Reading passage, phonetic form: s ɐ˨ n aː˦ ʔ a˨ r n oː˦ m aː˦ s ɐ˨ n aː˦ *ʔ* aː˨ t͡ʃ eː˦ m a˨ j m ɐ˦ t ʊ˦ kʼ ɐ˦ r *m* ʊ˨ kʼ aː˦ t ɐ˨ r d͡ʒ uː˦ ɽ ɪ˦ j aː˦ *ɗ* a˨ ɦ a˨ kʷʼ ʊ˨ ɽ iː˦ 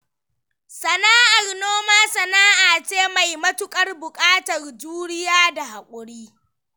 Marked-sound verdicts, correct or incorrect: correct, incorrect, incorrect

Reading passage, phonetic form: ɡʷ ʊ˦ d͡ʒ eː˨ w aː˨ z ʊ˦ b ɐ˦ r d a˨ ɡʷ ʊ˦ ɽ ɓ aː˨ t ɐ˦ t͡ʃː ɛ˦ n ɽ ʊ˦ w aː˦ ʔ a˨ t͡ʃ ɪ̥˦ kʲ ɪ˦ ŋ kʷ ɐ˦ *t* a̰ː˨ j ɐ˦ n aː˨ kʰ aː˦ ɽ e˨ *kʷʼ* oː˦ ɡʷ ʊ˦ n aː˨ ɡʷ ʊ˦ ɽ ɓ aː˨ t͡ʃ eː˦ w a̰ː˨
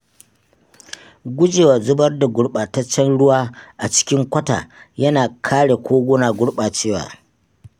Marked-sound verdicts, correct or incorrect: correct, incorrect

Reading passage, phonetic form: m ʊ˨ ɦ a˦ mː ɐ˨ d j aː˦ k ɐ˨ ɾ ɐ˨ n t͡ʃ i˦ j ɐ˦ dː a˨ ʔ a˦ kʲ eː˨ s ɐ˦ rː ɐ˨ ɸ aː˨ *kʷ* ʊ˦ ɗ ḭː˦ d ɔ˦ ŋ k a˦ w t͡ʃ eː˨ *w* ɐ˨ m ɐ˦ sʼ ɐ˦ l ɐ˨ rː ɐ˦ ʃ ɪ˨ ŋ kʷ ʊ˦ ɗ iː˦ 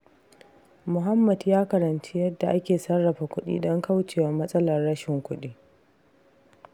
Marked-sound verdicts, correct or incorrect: correct, correct

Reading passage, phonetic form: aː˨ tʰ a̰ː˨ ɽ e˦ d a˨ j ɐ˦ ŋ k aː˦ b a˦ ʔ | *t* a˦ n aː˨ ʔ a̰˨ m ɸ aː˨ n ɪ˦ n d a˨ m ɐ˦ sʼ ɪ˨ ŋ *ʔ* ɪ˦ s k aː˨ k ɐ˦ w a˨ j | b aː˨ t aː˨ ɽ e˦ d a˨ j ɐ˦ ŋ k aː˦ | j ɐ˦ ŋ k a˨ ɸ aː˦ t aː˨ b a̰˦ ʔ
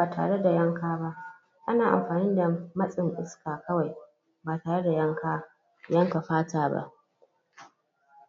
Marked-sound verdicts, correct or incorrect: incorrect, correct

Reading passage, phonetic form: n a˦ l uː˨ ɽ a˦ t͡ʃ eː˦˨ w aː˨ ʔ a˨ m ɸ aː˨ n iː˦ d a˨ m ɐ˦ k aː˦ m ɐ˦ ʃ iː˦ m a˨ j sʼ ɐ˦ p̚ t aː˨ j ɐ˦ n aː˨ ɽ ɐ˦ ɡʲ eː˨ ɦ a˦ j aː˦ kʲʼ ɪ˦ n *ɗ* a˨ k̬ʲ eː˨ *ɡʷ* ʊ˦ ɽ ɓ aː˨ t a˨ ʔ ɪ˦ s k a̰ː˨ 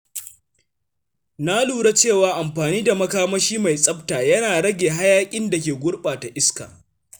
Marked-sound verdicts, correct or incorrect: incorrect, correct

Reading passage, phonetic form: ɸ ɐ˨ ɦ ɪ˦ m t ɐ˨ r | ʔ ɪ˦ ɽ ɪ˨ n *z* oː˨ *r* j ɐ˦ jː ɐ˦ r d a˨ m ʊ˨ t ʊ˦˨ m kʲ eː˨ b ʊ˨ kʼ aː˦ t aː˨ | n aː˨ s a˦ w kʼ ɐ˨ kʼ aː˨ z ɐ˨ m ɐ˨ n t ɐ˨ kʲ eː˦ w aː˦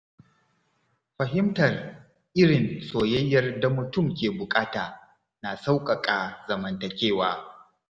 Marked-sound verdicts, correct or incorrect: incorrect, incorrect

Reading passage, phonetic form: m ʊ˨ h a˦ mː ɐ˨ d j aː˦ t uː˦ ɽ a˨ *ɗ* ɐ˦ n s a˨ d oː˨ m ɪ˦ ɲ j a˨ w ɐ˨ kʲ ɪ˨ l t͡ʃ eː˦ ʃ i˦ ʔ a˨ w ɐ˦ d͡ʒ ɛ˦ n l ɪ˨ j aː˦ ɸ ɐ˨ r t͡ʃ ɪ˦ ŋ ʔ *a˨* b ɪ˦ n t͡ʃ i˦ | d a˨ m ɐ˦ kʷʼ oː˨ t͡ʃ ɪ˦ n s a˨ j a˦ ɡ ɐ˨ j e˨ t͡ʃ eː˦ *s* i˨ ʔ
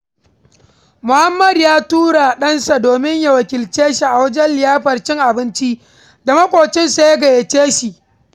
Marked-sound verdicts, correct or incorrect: correct, correct, incorrect

